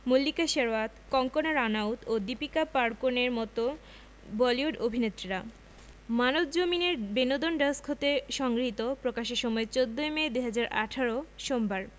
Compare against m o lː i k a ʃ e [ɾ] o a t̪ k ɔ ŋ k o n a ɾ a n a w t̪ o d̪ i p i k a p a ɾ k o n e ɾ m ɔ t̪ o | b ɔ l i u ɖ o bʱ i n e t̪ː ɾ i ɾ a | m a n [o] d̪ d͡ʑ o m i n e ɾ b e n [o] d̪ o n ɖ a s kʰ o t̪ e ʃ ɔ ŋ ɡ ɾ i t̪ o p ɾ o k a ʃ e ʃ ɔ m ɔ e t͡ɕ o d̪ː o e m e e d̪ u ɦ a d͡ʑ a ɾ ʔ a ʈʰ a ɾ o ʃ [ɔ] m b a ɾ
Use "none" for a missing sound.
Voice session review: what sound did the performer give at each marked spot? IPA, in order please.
ɾ, o, o, o

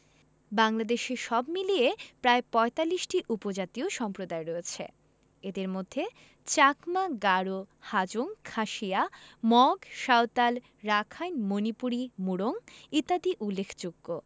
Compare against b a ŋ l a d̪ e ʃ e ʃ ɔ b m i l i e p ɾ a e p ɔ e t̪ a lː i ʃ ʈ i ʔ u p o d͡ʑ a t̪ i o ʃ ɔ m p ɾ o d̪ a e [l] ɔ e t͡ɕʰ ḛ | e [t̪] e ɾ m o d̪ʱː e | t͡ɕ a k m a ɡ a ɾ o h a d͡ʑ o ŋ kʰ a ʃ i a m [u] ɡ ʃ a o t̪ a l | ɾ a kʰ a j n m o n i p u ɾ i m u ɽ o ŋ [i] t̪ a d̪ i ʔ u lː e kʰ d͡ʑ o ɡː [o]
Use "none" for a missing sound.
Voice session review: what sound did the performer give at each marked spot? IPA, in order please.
ɾ, d̪, ɔ, i, o

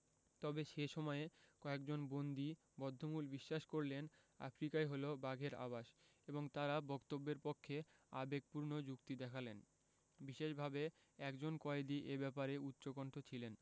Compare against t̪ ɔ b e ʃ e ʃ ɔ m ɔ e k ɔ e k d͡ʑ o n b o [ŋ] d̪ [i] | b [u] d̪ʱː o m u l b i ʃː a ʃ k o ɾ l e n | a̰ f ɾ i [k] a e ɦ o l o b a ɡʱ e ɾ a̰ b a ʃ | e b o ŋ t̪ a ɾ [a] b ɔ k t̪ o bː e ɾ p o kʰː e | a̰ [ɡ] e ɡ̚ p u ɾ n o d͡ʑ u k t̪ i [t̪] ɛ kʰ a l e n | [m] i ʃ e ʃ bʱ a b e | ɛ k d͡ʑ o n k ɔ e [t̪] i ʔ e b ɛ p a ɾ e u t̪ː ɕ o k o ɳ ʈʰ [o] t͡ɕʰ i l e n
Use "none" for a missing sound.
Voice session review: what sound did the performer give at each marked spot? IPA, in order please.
n, i, ɔ, k, a, b, d̪, b, d̪, o

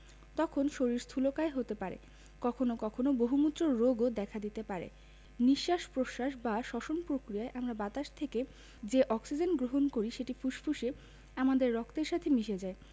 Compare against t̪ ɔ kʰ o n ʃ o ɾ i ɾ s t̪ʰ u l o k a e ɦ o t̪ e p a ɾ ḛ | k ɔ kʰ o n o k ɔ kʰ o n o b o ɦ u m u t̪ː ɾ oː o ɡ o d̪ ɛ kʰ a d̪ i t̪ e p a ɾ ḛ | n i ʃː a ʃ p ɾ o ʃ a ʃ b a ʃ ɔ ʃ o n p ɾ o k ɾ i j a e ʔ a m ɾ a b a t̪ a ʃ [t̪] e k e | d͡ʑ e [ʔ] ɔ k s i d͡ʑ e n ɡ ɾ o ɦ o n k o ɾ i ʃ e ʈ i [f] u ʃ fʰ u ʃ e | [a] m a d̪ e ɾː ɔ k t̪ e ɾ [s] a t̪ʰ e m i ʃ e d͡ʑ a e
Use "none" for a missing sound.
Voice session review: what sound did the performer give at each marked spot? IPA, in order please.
t̪ʰ, ʔ, f, a, ʃ

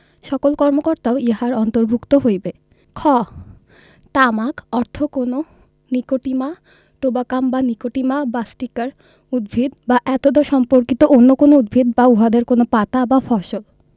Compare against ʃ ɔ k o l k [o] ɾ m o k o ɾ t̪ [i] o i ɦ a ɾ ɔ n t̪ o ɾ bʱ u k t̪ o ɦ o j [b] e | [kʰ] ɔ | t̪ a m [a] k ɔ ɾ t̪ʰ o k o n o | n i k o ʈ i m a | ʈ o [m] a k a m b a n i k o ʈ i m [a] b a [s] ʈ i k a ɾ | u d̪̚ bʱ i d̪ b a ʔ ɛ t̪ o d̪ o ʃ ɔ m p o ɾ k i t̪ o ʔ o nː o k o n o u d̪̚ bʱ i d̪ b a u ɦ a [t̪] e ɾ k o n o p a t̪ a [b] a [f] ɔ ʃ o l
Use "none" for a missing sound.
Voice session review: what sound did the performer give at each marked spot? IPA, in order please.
ɔ, a, b, kʰ, a, b, a, s, d̪, b, f

